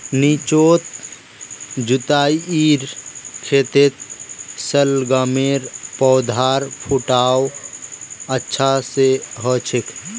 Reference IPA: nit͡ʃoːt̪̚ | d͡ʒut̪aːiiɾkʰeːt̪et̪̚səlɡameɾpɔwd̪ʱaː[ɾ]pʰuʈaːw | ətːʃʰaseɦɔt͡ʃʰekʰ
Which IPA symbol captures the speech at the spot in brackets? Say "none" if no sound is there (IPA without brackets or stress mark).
ɾ